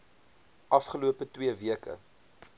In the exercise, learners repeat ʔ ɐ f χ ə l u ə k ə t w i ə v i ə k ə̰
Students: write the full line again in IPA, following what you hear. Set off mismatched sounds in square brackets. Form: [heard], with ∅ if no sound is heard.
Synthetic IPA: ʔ ɐ f χ ə l u ə [p] ə t w i ə v i ə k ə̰